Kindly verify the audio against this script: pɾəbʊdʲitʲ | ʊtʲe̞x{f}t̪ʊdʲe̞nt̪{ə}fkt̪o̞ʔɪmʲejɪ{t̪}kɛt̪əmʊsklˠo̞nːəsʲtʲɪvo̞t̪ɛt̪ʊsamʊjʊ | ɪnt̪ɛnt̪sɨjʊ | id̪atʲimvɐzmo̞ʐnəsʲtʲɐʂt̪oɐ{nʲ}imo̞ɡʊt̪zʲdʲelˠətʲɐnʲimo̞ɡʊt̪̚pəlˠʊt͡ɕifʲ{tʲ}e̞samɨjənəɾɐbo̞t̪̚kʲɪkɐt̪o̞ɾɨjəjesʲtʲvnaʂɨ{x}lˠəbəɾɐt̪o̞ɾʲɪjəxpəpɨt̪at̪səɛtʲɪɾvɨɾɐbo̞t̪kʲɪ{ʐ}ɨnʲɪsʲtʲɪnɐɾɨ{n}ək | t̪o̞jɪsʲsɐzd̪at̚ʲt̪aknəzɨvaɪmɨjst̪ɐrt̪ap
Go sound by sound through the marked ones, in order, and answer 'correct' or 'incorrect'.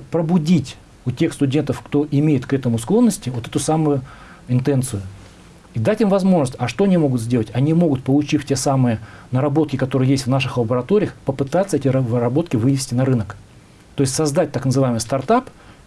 incorrect: s, correct, correct, correct, correct, correct, incorrect: v, correct

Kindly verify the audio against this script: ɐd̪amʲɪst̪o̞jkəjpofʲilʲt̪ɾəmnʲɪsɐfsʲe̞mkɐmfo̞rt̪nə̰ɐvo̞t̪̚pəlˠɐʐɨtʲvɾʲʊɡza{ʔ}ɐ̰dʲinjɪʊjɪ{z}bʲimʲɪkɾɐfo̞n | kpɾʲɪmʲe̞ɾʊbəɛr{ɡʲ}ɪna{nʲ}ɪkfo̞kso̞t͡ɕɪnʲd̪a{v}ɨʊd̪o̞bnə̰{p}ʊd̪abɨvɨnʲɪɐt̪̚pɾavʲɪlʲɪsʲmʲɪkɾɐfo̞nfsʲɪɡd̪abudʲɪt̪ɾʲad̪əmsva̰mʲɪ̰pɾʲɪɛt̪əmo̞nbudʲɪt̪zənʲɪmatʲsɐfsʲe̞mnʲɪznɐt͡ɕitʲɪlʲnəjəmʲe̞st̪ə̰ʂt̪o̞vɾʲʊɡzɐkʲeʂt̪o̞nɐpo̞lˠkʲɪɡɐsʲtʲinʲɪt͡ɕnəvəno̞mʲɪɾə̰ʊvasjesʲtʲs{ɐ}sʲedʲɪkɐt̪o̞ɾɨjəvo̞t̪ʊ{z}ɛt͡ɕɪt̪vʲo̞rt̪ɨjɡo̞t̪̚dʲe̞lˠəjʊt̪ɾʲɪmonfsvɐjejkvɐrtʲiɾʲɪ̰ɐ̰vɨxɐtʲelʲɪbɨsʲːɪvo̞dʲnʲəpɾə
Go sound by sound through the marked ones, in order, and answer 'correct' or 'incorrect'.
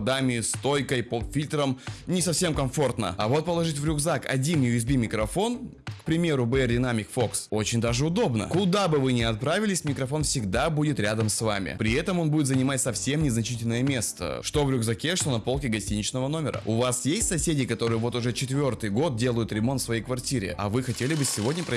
incorrect: k, correct, incorrect: dʲ, incorrect: mʲ, incorrect: ʐ, incorrect: k, correct, incorrect: ʐ

